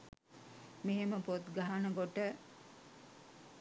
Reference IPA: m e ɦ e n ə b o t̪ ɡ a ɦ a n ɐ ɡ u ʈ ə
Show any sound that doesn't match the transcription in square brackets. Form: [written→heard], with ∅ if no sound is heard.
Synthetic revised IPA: m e ɦ e [n→m] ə [b→p] o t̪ ɡ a ɦ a n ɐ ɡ [u→o] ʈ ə